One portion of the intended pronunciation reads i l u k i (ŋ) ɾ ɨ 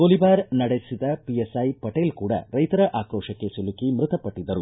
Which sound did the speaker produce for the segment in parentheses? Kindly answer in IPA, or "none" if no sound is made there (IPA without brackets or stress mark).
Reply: m